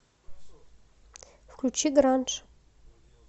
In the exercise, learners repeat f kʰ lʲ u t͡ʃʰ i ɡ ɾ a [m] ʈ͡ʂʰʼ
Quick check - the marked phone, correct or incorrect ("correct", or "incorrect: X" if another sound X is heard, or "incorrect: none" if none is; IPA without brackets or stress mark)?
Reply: incorrect: n